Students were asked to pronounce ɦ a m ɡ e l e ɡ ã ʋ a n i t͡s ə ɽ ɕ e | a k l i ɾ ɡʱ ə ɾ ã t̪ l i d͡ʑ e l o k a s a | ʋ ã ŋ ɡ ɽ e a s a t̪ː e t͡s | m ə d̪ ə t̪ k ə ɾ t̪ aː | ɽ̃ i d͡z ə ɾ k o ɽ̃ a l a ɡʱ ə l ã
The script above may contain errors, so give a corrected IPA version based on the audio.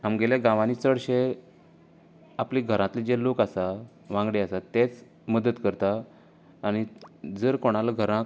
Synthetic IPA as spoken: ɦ a m ɡ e l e ɡ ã ʋ a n i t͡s ə ɽ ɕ e | a p l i ɡʱ ə ɾ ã t̪ l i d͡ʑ e l o k a s a | ʋ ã ŋ ɡ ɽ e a s a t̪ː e t͡s | m ə d̪ ə t̪ k ə ɾ t̪ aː | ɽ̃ i d͡z ə ɾ k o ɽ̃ a l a ɡʱ ə ɾ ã